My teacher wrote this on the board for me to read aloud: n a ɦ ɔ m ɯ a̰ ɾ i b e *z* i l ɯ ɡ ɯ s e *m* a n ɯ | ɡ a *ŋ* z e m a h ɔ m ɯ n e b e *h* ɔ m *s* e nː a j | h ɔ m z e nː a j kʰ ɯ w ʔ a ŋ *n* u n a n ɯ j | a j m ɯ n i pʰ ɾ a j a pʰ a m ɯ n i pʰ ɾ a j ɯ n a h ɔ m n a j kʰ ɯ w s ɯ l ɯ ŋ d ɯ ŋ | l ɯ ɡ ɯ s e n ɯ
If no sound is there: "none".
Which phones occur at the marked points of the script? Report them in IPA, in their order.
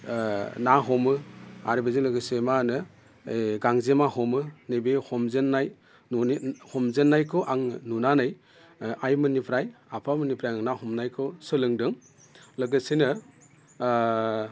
z, m, ŋ, h, z, n

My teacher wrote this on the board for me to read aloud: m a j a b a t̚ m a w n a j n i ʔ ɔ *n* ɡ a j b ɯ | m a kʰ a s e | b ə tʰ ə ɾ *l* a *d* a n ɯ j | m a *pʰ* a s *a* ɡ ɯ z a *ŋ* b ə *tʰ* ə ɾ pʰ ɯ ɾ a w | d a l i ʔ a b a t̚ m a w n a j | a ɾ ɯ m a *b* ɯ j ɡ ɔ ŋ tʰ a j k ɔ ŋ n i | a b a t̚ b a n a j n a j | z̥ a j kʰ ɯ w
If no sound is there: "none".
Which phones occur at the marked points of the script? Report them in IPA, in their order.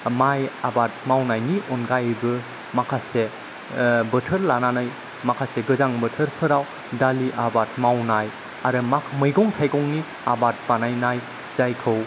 n, l, n, kʰ, e, ŋ, tʰ, m

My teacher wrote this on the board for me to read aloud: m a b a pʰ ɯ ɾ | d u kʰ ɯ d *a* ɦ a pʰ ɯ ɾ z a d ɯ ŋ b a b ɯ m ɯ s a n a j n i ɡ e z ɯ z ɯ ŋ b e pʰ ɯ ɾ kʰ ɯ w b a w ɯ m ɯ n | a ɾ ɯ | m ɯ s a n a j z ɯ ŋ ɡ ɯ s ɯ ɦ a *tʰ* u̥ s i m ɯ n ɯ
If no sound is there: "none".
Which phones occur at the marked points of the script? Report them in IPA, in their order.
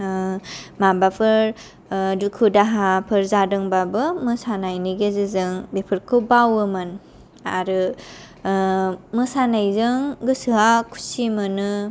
a, kʰ

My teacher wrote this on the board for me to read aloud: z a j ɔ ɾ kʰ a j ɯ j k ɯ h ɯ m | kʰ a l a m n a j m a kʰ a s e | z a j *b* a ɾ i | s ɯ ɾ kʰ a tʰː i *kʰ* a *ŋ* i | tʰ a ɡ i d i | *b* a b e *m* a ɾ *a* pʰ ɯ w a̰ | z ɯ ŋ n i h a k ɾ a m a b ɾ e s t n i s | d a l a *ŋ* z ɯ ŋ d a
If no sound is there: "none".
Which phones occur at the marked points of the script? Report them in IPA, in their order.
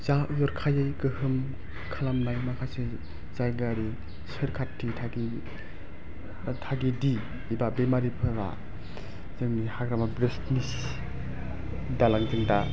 ɡ, tʰ, ɡ, b, m, i, ŋ

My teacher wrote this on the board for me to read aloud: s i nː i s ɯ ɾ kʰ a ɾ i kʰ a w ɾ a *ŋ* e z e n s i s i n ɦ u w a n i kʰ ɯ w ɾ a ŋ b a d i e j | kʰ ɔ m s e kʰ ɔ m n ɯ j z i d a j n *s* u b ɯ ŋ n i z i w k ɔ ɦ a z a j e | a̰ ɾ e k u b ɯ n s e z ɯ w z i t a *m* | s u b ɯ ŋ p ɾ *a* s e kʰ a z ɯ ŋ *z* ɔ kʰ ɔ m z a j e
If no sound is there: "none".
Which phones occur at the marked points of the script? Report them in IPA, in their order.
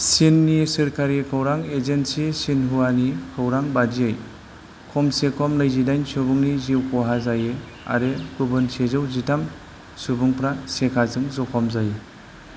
ŋ, s, m, a, z

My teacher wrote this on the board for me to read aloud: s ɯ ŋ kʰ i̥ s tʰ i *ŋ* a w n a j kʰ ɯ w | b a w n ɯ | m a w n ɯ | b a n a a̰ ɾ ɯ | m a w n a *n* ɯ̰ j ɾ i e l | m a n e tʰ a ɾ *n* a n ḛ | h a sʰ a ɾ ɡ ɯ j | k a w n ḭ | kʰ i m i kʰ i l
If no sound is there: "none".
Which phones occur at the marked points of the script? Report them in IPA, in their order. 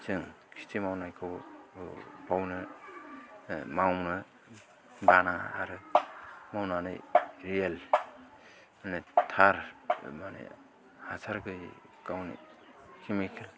m, n, m

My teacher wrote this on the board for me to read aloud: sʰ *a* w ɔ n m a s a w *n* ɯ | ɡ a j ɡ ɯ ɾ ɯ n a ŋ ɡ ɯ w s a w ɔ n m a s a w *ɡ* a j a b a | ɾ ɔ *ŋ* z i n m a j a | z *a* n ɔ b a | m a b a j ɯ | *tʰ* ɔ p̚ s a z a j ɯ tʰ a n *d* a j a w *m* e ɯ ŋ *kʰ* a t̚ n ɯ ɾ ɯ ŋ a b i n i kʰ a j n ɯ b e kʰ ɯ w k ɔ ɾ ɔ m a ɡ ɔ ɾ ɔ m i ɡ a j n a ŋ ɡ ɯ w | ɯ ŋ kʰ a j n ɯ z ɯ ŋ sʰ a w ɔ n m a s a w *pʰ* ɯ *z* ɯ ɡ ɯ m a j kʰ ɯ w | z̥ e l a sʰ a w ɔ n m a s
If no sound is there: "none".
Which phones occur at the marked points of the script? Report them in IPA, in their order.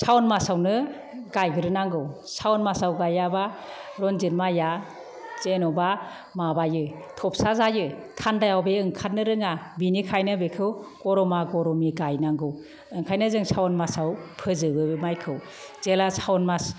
a, n, ɡ, n, e, tʰ, d, b, kʰ, pʰ, z

